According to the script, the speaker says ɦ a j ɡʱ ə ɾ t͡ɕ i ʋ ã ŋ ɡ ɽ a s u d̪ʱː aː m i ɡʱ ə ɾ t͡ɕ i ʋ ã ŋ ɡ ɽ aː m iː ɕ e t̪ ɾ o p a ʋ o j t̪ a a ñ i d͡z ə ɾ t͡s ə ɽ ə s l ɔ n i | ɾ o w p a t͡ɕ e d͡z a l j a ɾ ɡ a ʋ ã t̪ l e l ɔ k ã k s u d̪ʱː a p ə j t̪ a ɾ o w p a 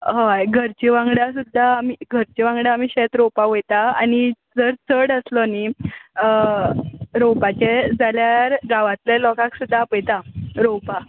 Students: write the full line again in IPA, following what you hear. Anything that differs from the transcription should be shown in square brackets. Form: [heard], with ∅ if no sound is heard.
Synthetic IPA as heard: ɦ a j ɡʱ ə ɾ t͡ɕ i ʋ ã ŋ ɡ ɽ a s u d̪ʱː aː m i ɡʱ ə ɾ t͡ɕ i ʋ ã ŋ ɡ ɽ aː m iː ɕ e t̪ ɾ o p a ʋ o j t̪ a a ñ i d͡z ə ɾ t͡s ə ɽ ə s l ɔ n i | ɾ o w p a t͡ɕ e d͡z a l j a ɾ ɡ a ʋ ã t̪ l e l ɔ k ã k s u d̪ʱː a p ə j t̪ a ɾ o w p a